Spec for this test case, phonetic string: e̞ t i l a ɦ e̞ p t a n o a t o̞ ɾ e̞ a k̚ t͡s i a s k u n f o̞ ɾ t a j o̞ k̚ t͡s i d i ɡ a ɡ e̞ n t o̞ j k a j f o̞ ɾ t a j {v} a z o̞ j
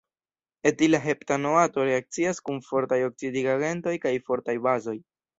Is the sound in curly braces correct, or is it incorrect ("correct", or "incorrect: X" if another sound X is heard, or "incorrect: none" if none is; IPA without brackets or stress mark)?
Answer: incorrect: b